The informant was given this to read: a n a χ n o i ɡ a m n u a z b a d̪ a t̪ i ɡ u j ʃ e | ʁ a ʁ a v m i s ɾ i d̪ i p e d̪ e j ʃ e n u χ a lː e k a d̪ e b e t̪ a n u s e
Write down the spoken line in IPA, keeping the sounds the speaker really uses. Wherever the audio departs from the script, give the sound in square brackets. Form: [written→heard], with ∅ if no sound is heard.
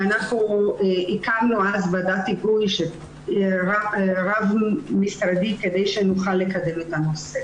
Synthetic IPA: a n a χ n [o→u] i [ɡ→k] a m n u a z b a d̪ a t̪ i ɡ u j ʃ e | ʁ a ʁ a v m i s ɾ [i→a] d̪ i [p→k] e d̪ e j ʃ e n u χ a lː e k a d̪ e [b→m] e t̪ a n [u→o] s e

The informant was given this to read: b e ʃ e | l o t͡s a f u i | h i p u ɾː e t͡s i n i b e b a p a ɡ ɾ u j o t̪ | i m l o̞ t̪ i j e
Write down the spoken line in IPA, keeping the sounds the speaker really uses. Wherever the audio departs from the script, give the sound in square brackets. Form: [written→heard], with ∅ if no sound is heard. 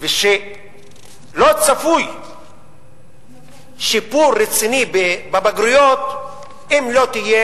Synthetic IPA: [b→v] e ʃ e | l o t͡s a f u [i→j] | [h→ʃ] i p u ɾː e t͡s i n i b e b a [p→b] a ɡ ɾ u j o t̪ | i m l o̞ t̪ i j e

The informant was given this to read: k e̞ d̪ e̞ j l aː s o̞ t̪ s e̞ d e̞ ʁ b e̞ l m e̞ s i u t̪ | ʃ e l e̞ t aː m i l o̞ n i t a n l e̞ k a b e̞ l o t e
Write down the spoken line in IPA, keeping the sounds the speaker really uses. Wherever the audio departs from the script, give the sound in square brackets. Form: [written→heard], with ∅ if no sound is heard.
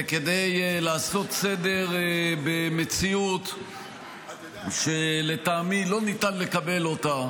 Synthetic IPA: k e̞ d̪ e̞ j l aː s o̞ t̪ s e̞ d e̞ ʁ b e̞ [l→∅] m e̞ [s→t͡s] i u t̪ | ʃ e l e̞ t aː m i l o̞ n i t a n l e̞ k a b e̞ l o t [e→a]

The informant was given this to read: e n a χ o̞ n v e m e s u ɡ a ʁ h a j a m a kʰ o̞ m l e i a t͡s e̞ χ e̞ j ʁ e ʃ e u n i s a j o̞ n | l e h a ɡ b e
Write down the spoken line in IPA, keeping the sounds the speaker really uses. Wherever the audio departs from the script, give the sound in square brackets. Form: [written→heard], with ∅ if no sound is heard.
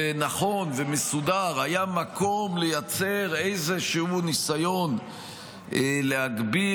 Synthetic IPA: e n a χ o̞ n v e m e s u [ɡ→d] a ʁ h a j a m a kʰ o̞ m l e [i→j] a t͡s e̞ [χ→ʁ] e̞ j [ʁ→z] e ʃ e u n i s a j o̞ n | l e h a ɡ b [e→i]

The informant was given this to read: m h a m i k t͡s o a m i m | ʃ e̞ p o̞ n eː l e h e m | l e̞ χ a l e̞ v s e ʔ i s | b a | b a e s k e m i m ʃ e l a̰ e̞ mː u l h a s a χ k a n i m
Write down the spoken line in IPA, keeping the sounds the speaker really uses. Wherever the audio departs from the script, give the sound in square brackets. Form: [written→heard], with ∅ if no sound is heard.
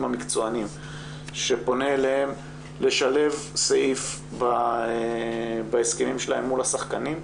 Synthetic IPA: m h a m i k t͡s o a [m→n] i m | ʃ e̞ p o̞ n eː l e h e m | l e̞ [χ→ʃ] a l e̞ v s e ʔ i [s→f] | b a | b a e s k e m i m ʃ e l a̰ e̞ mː u l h a s a χ k a n i m

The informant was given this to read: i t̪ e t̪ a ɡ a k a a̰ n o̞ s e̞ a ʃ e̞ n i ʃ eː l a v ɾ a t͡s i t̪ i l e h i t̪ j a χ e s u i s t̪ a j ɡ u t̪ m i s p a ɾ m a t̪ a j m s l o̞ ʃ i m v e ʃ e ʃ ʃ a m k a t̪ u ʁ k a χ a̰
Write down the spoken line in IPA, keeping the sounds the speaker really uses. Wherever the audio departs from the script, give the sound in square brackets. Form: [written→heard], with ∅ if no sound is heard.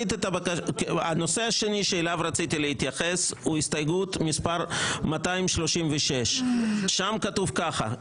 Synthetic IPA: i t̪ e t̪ a [ɡ→b] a k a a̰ n o̞ s e̞ a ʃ e̞ n i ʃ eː l a v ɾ a t͡s i t̪ i l e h i t̪ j a χ e s u i s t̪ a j ɡ u t̪ m i s p a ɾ m a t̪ a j m [s→ʃ] l o̞ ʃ i m v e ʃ e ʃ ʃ a m k a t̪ u [ʁ→v] k a χ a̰

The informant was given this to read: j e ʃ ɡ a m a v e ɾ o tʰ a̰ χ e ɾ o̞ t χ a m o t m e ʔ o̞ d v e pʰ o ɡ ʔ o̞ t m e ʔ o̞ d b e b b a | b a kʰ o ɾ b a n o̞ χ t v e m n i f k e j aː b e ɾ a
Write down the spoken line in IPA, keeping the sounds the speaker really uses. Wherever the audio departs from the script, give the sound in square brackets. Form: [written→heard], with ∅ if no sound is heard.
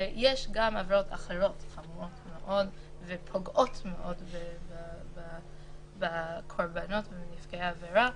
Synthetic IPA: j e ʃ ɡ a m a v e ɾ o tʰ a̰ χ e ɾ o̞ t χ a m o t m e ʔ o̞ d v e pʰ o ɡ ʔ o̞ t m e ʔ o̞ d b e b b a | b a kʰ o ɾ b a n o̞ [χ→∅] t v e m n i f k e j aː [b→v] e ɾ a

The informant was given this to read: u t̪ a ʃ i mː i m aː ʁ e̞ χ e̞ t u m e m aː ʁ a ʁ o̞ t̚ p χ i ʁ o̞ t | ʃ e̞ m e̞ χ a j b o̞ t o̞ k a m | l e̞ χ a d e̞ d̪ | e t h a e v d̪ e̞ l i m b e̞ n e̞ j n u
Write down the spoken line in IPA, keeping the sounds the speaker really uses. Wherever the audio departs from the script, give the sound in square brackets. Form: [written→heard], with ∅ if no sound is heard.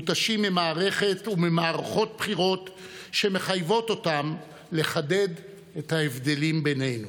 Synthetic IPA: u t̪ a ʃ i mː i m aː ʁ e̞ χ e̞ t u m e m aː ʁ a [ʁ→χ] o̞ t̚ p χ i ʁ o̞ t | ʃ e̞ m e̞ χ a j [b→v] o̞ t o̞ [k→t] a m | l e̞ χ a d e̞ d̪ | e t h a e v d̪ e̞ l i m b e̞ n e̞ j n u

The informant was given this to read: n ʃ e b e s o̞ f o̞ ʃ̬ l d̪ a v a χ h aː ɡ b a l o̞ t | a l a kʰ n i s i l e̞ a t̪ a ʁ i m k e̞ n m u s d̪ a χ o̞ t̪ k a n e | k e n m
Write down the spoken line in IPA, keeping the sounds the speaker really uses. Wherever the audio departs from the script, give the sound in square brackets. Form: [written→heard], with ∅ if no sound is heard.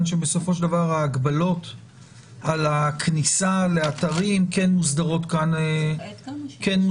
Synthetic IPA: n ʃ e b e s o̞ f o̞ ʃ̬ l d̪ a v a [χ→ʁ] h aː ɡ b a l o̞ t | a l a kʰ n i s [i→a] l e̞ a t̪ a ʁ i m k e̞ n m u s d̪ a [χ→ʁ] o̞ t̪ k a n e | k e n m

